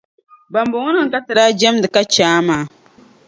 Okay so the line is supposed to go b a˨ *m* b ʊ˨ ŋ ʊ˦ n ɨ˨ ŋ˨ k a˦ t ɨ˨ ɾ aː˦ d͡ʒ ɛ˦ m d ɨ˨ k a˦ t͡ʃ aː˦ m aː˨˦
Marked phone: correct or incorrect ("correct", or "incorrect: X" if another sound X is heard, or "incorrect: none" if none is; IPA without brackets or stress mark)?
correct